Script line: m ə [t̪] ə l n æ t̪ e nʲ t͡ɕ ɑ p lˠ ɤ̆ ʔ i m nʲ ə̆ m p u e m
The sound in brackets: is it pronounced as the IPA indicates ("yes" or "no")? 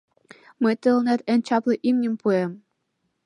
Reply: yes